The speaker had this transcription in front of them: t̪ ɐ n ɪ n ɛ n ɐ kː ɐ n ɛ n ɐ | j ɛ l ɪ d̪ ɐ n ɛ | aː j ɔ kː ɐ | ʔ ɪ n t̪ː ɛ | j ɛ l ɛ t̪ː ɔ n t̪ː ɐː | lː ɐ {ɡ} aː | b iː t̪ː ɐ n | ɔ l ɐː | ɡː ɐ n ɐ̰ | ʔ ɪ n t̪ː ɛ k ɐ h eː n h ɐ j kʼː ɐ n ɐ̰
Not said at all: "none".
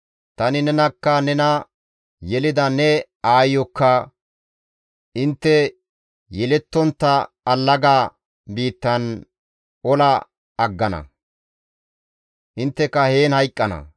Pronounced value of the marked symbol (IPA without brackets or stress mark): ɡ